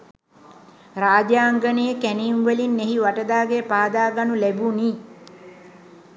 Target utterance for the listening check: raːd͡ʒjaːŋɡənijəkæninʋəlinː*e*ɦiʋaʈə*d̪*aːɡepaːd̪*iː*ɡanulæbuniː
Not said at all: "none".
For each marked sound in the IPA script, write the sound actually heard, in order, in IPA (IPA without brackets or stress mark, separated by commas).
e, d̪, aː